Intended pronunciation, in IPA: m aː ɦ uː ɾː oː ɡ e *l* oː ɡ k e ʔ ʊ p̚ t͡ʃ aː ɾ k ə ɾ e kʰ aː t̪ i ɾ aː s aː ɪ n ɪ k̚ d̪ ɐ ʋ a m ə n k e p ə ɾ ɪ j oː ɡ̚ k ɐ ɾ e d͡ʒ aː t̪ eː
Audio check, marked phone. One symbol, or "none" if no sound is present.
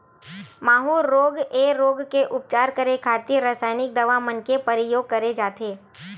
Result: ɾ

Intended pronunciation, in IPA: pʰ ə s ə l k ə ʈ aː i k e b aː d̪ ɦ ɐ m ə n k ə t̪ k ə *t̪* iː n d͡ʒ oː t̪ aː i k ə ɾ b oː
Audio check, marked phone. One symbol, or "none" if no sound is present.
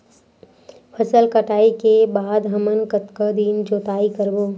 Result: d̪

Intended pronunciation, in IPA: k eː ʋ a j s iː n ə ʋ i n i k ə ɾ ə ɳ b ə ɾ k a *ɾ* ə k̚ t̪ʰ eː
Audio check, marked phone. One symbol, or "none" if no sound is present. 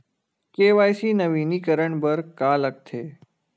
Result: l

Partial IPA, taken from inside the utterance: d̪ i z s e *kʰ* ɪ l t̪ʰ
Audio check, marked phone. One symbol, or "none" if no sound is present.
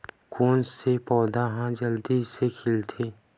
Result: kʰ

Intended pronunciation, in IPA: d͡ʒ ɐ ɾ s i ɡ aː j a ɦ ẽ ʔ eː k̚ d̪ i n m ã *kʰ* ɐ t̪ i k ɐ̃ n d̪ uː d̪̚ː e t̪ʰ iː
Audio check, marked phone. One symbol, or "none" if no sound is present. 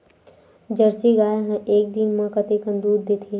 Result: k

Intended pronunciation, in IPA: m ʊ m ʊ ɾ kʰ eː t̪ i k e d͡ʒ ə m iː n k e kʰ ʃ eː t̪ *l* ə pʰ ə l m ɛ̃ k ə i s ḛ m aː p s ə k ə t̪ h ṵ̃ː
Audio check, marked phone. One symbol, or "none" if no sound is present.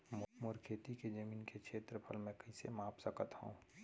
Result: ɾ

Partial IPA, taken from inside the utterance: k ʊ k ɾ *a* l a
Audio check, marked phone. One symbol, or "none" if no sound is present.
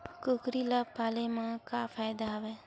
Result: i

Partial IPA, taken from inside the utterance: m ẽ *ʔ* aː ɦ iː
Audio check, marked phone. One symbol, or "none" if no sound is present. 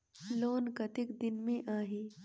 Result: ʔ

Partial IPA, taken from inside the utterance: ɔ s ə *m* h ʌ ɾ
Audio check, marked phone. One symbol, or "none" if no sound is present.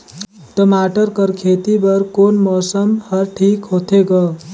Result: m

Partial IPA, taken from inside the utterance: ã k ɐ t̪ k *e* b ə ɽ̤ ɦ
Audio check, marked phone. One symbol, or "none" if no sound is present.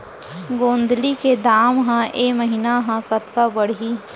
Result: a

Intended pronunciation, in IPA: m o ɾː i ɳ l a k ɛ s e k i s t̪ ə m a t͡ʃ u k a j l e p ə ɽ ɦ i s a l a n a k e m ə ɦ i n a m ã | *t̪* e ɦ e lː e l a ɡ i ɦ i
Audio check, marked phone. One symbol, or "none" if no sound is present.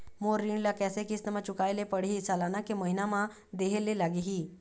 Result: d̪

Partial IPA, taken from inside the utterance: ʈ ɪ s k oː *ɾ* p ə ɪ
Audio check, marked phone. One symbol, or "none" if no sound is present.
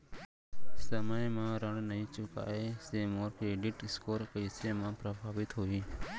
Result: ɾ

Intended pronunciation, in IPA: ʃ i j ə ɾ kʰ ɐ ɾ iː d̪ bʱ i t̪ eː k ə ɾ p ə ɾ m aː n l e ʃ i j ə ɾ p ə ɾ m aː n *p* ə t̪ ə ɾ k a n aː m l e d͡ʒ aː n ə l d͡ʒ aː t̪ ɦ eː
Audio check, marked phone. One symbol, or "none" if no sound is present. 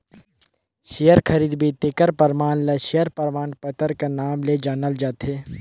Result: p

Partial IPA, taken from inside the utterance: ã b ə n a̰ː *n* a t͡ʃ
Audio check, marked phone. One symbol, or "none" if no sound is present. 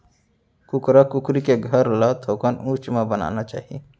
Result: n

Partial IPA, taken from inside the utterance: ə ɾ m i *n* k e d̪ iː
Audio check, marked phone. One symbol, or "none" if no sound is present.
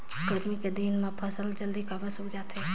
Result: none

